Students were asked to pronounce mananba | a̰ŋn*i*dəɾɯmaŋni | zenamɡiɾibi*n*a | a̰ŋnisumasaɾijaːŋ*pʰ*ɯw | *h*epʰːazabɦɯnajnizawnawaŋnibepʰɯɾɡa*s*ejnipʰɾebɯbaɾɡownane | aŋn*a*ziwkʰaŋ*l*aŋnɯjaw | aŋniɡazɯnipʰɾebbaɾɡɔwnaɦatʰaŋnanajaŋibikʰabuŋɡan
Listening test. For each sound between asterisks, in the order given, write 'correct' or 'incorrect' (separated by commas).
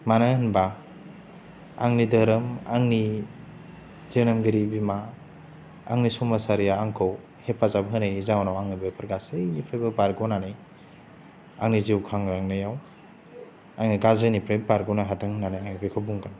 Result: correct, incorrect, incorrect, correct, correct, incorrect, incorrect